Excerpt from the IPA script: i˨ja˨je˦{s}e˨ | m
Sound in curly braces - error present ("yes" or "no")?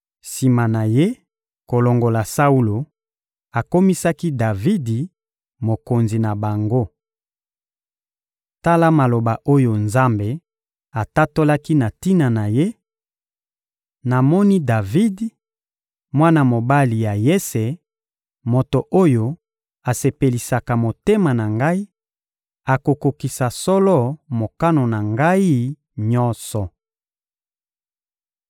no